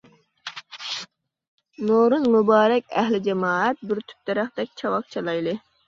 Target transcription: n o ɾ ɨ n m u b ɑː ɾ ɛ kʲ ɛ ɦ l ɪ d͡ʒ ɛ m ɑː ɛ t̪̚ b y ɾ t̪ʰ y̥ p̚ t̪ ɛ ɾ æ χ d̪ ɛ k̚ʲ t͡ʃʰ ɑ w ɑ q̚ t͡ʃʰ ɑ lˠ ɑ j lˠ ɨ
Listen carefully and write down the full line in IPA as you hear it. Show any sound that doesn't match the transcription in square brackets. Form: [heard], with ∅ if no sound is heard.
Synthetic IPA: n o ɾ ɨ n m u b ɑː ɾ ɛ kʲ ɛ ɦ l ɪ d͡ʒ ɛ m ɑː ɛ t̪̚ b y ɾ t̪ʰ y̥ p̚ t̪ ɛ ɾ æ χ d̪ ɛ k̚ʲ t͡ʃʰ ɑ w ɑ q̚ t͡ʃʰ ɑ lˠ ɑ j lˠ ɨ